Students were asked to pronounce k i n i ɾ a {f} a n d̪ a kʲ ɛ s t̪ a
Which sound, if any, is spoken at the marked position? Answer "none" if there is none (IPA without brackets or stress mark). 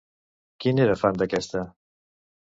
f